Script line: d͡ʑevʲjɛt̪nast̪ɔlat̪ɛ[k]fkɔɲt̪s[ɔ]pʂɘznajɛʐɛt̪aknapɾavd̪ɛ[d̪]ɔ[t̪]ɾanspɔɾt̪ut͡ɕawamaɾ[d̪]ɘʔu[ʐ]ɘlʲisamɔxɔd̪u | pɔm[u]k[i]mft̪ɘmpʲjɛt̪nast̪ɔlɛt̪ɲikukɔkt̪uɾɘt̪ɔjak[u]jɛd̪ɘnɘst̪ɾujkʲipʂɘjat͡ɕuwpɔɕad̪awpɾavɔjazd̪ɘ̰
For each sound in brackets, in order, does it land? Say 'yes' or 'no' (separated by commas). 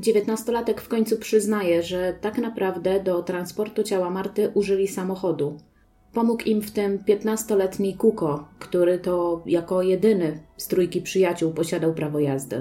yes, no, yes, yes, no, yes, yes, yes, no